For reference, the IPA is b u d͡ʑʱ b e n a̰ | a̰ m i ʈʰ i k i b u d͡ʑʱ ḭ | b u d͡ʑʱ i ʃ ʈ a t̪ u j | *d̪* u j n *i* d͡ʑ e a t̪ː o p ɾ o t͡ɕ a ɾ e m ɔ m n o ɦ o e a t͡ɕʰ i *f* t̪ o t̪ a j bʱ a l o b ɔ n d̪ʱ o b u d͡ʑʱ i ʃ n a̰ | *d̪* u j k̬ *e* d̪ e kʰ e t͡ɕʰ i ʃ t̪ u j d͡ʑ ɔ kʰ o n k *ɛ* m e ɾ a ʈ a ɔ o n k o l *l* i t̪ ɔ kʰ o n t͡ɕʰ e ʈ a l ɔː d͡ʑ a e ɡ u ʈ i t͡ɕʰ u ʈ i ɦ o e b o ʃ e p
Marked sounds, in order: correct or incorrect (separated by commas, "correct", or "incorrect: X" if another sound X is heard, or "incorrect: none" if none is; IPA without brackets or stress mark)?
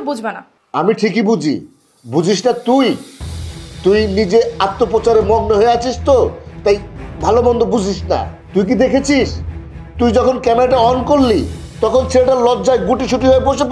incorrect: t̪, correct, incorrect: ʃ, incorrect: t̪, incorrect: i, correct, correct